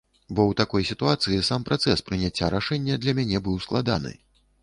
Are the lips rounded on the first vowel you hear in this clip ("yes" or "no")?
yes